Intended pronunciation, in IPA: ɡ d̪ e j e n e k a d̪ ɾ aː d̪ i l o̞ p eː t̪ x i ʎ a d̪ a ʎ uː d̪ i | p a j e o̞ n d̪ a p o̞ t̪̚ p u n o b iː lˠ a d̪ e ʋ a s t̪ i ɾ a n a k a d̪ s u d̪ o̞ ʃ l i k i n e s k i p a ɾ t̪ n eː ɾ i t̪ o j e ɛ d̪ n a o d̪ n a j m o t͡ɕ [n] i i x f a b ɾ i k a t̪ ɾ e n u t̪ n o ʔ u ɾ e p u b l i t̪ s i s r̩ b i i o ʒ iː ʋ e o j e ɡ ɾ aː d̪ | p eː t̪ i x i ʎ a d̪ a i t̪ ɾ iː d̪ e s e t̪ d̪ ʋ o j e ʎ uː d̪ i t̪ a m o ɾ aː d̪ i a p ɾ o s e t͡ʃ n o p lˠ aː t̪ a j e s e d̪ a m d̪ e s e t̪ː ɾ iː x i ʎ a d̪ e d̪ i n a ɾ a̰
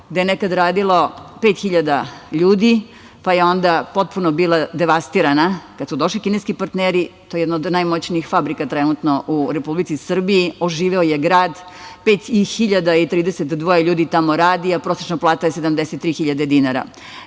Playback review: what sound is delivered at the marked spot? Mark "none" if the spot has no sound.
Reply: n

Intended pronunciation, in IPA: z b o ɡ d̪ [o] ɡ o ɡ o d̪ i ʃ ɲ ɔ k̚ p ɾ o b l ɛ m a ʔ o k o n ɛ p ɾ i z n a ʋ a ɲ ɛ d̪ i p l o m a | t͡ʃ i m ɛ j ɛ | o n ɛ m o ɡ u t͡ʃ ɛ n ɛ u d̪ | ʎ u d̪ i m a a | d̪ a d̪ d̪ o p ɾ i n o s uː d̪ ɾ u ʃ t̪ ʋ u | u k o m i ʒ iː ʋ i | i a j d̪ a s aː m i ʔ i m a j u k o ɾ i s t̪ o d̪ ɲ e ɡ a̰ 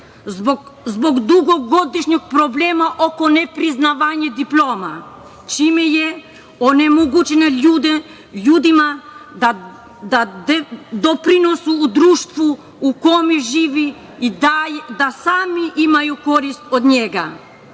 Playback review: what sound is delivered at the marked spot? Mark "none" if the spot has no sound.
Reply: u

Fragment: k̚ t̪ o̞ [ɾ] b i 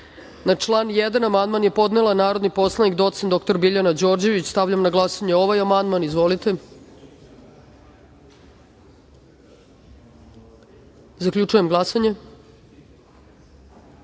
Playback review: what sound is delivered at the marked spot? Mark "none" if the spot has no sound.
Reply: ɾ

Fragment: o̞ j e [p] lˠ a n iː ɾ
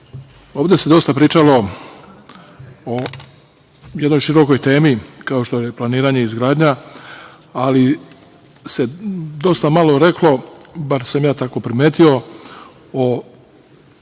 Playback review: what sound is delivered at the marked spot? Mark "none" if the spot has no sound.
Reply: p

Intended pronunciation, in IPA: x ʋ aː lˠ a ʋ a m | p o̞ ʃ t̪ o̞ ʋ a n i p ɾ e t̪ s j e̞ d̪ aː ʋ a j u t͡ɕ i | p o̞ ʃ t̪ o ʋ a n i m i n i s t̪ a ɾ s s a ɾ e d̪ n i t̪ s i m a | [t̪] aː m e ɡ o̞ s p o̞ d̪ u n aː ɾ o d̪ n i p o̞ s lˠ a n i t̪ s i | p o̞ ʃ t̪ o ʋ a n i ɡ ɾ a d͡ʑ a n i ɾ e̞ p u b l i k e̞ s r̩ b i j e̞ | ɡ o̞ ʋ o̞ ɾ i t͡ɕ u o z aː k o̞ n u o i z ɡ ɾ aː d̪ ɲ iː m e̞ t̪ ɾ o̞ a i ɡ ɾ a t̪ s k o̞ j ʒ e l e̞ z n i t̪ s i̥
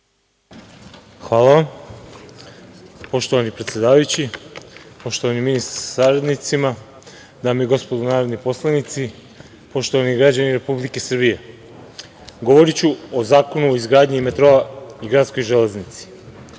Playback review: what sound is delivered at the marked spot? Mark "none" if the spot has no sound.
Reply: d̪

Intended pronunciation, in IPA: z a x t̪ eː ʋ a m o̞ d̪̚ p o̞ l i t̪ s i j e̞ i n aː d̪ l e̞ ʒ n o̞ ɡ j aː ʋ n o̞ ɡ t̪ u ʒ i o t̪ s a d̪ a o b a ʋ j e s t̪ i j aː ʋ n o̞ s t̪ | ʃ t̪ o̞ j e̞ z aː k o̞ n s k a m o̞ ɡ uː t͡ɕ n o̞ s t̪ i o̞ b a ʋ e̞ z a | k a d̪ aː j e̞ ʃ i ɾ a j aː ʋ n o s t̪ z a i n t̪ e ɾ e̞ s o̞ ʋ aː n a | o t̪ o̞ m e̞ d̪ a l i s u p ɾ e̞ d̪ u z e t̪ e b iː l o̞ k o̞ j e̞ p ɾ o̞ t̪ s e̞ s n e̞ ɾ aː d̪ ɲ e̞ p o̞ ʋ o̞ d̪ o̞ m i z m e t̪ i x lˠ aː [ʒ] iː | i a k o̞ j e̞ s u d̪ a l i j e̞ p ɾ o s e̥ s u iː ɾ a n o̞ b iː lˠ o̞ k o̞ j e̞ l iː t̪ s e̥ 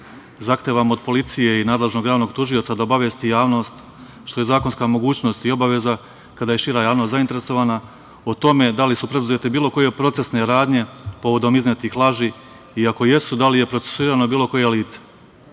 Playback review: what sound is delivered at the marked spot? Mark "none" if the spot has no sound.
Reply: ʒ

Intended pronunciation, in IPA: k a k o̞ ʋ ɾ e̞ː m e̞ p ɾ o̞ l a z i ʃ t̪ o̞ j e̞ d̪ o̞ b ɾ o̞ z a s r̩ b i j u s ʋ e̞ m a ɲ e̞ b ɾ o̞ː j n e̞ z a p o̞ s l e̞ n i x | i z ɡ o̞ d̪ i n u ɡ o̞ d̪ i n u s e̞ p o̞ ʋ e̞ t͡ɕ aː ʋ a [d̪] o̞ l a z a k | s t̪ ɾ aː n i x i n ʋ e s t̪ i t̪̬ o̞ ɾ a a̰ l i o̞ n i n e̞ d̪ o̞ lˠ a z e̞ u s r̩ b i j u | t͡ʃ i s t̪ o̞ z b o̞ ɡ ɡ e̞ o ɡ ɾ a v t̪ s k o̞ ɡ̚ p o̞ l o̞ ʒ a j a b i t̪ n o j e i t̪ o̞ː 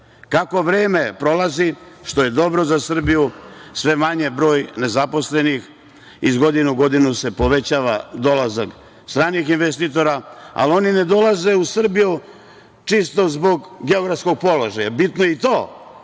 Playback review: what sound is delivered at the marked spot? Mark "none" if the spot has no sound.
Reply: d̪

